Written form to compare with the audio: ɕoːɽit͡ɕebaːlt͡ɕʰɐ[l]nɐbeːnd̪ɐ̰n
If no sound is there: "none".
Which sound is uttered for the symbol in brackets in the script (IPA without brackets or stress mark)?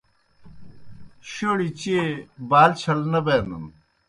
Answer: l